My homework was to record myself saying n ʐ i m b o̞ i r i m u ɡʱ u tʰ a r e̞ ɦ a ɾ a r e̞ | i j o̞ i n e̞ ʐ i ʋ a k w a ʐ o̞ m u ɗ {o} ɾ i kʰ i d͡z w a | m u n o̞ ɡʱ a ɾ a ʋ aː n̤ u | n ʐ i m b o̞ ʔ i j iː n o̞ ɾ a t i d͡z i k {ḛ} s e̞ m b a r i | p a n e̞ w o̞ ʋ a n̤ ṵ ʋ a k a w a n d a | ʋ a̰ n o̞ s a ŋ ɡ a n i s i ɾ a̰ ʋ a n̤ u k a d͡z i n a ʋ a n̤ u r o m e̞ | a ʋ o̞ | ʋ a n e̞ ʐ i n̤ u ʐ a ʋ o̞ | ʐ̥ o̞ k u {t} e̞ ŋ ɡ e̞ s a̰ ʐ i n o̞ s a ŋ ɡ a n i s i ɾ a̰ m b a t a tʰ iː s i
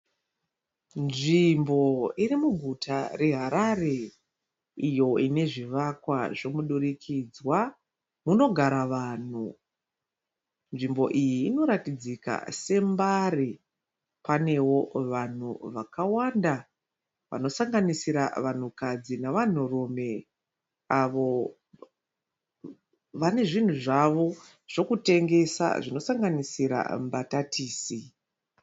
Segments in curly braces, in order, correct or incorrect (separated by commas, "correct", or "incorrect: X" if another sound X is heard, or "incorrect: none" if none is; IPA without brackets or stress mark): incorrect: u, incorrect: a̰, correct